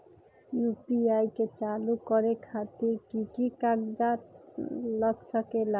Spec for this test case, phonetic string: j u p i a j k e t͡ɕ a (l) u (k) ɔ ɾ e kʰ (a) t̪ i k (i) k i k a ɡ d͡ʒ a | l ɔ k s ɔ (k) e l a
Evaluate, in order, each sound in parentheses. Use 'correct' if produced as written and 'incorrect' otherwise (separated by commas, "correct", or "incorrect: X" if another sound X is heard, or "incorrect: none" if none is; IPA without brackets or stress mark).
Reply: correct, correct, correct, correct, correct